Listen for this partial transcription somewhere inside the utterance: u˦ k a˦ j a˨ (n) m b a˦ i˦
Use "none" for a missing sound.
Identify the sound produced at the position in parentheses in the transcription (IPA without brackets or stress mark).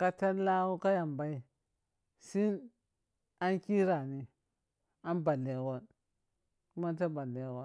none